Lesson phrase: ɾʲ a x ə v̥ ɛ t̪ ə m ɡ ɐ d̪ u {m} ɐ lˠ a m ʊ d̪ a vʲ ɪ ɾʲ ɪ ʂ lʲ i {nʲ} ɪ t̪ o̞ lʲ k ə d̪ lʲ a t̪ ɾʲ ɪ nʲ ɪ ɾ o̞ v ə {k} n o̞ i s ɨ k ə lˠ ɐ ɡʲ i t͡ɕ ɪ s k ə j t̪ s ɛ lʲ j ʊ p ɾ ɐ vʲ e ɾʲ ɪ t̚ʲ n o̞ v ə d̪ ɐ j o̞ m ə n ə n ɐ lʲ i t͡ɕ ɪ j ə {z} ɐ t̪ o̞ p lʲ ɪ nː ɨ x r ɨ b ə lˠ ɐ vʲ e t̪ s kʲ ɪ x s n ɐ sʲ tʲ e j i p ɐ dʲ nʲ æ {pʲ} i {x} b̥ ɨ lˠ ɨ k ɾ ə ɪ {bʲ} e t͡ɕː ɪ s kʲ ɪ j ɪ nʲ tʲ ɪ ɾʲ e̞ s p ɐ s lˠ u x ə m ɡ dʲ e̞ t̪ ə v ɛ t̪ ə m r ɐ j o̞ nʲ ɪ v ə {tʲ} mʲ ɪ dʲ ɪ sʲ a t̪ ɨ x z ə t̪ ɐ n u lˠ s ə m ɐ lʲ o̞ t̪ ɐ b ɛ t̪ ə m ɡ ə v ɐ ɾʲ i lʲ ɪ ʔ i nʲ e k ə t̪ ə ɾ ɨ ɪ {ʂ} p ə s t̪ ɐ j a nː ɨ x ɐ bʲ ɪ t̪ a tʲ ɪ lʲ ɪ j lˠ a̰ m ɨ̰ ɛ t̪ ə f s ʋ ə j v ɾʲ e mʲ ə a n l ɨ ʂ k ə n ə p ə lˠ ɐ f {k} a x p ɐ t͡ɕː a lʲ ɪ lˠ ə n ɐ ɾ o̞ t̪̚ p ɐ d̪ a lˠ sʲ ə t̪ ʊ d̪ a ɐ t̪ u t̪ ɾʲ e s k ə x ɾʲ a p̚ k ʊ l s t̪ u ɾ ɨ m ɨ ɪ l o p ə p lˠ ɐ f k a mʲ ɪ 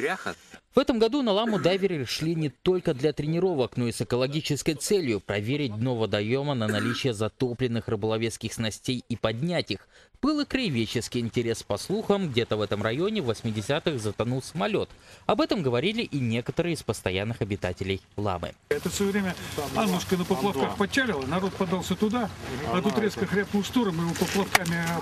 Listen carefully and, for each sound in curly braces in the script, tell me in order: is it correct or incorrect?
incorrect: n, correct, correct, correct, incorrect: tʲ, correct, incorrect: vʲ, incorrect: sʲ, incorrect: s, correct

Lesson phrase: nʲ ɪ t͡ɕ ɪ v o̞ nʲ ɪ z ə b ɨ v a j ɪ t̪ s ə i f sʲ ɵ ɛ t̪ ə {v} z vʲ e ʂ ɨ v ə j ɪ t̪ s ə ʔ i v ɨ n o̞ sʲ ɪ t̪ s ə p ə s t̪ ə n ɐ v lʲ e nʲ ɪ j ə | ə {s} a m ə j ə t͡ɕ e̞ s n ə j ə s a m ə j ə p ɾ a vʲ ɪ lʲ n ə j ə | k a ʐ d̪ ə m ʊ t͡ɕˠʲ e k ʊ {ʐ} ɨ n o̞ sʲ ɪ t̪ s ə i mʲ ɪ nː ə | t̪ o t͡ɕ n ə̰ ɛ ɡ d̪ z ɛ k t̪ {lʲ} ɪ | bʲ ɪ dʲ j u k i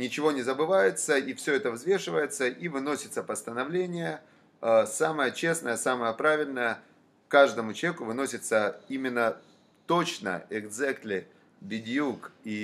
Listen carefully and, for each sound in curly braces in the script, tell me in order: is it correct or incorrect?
correct, correct, incorrect: v, correct

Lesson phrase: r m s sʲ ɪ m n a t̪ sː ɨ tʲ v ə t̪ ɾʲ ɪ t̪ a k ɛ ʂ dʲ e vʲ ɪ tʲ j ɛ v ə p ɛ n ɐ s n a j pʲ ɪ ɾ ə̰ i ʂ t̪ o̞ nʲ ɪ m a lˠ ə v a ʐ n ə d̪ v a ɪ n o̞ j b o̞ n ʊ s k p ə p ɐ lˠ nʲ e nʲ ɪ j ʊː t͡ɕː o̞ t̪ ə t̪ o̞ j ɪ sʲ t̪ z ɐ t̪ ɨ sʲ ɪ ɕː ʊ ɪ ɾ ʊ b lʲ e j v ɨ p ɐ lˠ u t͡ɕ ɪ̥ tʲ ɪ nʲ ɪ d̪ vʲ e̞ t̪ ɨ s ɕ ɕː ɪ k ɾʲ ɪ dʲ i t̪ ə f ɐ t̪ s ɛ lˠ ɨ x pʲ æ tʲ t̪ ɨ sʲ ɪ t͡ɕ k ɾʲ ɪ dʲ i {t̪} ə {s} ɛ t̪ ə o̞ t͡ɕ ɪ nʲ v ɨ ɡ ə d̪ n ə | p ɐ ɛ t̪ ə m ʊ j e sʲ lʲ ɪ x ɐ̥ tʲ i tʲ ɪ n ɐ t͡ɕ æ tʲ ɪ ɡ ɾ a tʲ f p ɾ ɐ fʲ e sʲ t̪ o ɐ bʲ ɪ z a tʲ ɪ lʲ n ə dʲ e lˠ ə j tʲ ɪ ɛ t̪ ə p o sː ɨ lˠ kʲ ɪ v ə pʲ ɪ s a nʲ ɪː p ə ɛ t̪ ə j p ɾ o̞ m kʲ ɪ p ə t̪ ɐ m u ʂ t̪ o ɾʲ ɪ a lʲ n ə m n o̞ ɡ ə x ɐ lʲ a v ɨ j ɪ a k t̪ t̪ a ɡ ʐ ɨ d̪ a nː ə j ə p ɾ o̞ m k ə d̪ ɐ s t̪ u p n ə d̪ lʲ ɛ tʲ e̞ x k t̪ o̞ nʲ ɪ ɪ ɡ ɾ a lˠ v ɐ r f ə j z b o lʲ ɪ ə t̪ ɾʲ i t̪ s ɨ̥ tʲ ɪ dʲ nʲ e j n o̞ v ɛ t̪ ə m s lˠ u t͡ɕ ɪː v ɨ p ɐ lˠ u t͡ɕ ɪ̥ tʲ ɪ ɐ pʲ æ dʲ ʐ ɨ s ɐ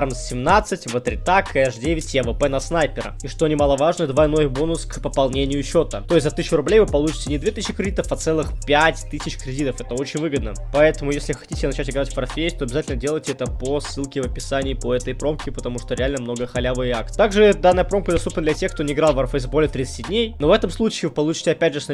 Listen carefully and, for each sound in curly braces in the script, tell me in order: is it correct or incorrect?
correct, incorrect: f

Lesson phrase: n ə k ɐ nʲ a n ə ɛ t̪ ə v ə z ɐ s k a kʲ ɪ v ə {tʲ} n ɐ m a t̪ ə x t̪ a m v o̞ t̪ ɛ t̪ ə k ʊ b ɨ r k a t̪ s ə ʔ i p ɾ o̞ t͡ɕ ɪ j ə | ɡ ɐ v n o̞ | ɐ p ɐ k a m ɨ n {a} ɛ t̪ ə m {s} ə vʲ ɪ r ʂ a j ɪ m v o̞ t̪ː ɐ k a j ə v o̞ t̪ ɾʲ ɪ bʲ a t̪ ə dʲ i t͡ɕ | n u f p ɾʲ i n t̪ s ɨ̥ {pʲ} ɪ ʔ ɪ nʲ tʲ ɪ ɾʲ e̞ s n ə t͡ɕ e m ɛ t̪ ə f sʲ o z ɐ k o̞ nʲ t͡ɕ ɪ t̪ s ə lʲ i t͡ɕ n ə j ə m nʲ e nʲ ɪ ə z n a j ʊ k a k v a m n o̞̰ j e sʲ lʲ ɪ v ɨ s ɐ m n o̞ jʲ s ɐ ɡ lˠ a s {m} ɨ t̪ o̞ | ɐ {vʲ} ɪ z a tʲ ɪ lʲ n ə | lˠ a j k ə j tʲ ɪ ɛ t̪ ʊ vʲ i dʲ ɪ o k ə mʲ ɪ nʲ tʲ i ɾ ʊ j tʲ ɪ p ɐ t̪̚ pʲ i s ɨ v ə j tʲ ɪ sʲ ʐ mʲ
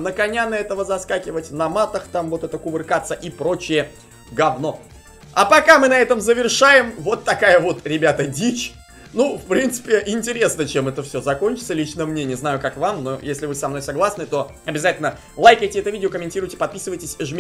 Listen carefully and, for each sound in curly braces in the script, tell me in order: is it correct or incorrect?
correct, incorrect: ɐ, incorrect: z, correct, incorrect: n, incorrect: bʲ

